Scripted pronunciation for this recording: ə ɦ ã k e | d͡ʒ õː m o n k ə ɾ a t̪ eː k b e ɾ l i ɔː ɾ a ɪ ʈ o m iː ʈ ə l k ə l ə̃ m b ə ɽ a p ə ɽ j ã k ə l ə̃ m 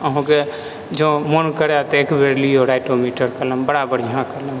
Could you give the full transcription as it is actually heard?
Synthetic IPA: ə ɦ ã k e | d͡ʒ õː m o n k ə ɾ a t̪ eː k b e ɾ l i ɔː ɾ a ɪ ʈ o m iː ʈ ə ɾ k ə l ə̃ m b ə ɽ a b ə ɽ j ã k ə l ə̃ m